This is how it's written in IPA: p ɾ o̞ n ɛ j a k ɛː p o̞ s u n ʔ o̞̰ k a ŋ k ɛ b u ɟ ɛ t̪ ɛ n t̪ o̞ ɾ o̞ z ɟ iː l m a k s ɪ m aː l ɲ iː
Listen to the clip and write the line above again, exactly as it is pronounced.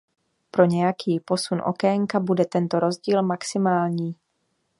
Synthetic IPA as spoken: p ɾ o̞ ɲ ɛ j a k iː p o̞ s u n ʔ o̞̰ k ɛ ŋ k a b u d ɛ t̪ ɛ n t̪ o̞ ɾ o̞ z ɟ iː l m a k s ɪ m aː l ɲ iː